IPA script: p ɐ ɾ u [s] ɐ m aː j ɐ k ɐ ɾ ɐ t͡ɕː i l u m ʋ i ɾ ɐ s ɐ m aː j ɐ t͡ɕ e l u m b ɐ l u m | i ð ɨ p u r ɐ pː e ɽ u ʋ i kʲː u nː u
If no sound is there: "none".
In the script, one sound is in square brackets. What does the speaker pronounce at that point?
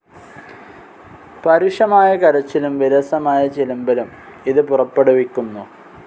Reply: ʂ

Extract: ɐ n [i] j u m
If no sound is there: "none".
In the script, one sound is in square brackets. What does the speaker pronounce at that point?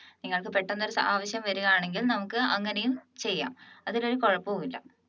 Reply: e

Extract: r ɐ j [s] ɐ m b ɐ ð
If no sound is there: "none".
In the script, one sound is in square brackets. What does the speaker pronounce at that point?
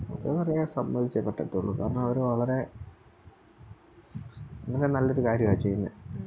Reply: s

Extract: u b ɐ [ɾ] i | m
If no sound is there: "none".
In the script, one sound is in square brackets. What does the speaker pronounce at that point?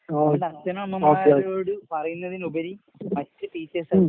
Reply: ɾ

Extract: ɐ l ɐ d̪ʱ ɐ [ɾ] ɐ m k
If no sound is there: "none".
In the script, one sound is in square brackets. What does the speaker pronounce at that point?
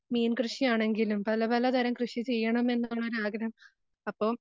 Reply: ɾ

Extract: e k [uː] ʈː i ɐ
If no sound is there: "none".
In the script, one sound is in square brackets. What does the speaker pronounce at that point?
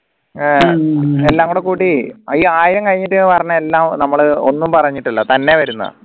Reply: uː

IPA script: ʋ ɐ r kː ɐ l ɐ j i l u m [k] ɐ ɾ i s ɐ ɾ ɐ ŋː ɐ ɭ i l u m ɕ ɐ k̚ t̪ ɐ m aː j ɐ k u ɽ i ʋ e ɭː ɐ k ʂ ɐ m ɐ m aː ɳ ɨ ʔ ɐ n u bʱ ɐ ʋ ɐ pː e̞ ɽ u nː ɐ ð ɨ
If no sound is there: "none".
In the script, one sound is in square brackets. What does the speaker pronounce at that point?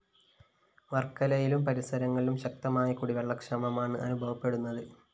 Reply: p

